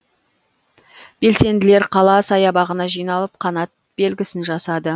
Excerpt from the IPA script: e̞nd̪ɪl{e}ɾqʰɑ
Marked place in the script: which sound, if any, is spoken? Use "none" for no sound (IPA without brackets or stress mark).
e